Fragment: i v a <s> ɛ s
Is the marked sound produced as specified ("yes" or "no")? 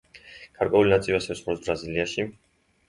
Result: yes